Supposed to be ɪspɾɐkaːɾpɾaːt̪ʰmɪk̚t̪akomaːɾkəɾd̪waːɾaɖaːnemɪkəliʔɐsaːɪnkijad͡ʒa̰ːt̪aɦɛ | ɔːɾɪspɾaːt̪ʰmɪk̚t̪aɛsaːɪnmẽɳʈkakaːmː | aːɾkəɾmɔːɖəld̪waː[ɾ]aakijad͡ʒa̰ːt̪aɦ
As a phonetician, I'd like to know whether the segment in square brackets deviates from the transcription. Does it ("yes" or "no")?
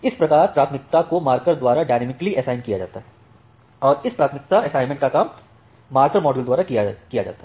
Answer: no